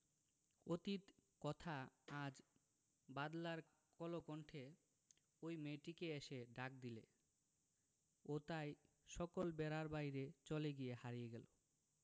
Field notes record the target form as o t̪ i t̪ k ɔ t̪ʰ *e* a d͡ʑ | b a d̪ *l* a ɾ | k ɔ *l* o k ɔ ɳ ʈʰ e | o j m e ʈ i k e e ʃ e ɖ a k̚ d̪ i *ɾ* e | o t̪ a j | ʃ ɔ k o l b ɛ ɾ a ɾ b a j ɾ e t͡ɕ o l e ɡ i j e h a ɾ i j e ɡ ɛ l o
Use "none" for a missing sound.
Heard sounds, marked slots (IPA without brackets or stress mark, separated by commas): a, l, l, l